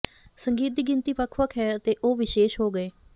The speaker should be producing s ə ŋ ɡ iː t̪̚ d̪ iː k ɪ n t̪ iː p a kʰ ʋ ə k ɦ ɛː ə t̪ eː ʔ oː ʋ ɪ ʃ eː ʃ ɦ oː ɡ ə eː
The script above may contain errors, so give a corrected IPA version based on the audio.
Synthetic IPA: s ə ŋ ɡ iː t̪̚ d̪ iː ɡ ɪ n t̪ iː p ə kʰ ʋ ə k ɦ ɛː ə t̪ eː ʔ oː ʋ ɪ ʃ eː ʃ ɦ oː ɡ ə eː